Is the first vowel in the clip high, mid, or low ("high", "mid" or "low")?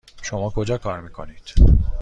mid